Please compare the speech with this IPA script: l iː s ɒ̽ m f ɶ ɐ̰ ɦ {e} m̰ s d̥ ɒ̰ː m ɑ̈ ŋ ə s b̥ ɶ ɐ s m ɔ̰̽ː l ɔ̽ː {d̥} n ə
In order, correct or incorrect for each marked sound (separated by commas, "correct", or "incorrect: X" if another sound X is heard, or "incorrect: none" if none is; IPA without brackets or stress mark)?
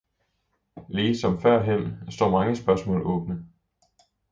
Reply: correct, incorrect: b̥